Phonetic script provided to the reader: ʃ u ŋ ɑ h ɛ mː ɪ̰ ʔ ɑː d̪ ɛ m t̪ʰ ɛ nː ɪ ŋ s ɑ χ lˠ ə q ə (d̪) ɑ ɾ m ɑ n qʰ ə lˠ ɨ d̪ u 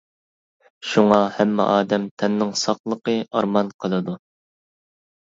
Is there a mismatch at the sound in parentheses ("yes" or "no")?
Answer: yes